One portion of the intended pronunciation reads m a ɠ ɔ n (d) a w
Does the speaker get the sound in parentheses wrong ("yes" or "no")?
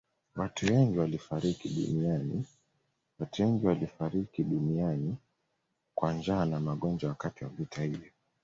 yes